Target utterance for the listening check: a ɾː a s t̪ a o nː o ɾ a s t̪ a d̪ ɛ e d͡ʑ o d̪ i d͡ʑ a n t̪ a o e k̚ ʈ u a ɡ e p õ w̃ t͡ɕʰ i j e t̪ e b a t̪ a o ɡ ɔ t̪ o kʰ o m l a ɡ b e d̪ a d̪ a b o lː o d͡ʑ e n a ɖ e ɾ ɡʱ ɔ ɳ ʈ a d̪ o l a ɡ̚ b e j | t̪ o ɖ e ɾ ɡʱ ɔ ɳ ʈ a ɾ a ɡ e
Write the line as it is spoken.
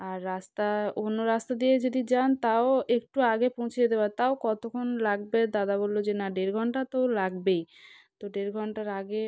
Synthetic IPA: a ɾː a s t̪ a o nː o ɾ a s t̪ a d̪ i e d͡ʑ o d̪ i d͡ʑ a n t̪ a o e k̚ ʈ u a ɡ e p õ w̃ t͡ɕʰ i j e d̪ e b a t̪ a o k ɔ t̪ o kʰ o n l a ɡ b e d̪ a d̪ a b o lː o d͡ʑ e n a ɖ e ɾ ɡʱ ɔ ɳ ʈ a t̪ o l a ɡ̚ b e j | t̪ o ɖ e ɾ ɡʱ ɔ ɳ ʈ a ɾ a ɡ e